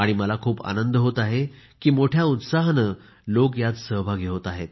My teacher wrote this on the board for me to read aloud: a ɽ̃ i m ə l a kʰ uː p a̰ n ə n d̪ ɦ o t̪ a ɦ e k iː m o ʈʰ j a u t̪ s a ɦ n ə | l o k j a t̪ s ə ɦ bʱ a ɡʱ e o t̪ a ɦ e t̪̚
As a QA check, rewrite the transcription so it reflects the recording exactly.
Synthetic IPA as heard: a ɽ̃ i m ə l a kʰ uː p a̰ n ə n d̪ ɦ o t̪ a ɦ e k iː m o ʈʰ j a u t̪ s a ɦ n ə | l o k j a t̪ s ə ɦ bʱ a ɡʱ e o t̪ a ɦ e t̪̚